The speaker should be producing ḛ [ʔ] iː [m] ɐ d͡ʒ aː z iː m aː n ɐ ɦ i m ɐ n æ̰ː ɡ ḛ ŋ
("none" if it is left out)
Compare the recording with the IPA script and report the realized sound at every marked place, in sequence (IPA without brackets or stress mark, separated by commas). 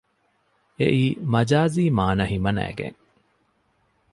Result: ʔ, m